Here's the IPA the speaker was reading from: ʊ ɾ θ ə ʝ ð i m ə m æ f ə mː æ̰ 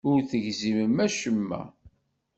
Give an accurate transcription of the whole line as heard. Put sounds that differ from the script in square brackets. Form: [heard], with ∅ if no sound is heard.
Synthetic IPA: ʊ ɾ θ ə ʝ [z] i m ə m æ [ʃ] ə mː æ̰